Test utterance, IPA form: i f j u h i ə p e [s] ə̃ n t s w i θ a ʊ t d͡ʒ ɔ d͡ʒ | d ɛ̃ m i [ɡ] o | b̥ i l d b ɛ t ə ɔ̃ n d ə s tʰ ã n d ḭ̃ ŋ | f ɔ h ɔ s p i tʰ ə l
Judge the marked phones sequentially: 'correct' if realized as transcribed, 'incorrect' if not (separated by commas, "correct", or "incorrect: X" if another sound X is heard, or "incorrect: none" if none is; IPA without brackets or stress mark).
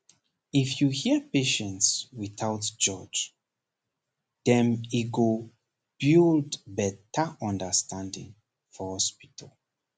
incorrect: ʃ, correct